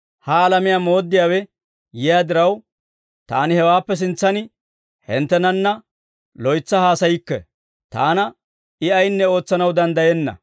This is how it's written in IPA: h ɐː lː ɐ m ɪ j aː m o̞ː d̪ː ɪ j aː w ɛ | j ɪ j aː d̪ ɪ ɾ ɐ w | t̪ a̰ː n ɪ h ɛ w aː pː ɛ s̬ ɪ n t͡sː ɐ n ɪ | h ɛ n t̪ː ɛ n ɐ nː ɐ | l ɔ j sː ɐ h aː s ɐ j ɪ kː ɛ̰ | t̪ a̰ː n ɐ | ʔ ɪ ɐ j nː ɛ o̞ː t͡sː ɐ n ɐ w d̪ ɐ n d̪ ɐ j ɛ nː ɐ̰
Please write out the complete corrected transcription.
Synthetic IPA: h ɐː l ɐ m ɪ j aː m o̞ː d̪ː ɪ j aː w ɛ | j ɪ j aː d̪ ɪ ɾ ɐ w | t̪ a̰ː n ɪ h ɛ w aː pː ɛ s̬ ɪ n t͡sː ɐ n ɪ | h ɛ n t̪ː ɛ n ɐ nː ɐ | l ɔ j t͡sː ɐ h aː s ɐ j ɪ kː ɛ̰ | t̪ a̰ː n ɐ | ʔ ɪ ɐ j nː ɛ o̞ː t͡sː ɐ n ɐ w d̪ ɐ n d̪ ɐ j ɛ nː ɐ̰